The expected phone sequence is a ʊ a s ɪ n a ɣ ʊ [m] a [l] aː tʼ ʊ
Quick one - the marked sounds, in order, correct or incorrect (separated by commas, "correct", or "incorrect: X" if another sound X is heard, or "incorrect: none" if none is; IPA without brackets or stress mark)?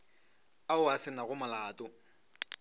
correct, correct